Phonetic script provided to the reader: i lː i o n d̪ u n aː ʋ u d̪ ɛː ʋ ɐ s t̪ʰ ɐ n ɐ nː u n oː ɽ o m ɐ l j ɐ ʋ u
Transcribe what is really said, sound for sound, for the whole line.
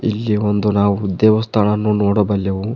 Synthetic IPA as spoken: i lː i o n d̪ u n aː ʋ u d̪ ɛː ʋ ɐ s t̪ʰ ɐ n ɐ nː u n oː ɽ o b ɐ l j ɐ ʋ u